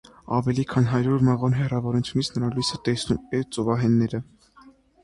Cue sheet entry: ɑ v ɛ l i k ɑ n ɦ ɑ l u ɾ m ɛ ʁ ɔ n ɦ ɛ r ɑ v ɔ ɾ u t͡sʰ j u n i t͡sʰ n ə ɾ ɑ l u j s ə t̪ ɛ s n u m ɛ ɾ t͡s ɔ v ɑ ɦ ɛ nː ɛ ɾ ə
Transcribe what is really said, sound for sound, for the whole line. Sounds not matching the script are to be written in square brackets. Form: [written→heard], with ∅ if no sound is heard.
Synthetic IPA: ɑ v ɛ l i [k→kʰ] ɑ n ɦ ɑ [l→ɾ] u ɾ m ɛ ʁ ɔ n ɦ ɛ r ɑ v ɔ ɾ u t͡sʰ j u n i t͡sʰ n ə ɾ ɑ l u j s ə t̪ ɛ s n u m ɛ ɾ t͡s ɔ v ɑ ɦ ɛ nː ɛ ɾ ə